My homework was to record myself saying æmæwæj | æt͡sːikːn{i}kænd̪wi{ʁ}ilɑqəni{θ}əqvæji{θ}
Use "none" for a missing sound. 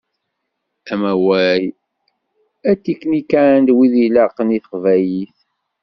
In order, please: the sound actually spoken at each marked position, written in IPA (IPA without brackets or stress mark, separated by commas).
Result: i, ð, θ, θ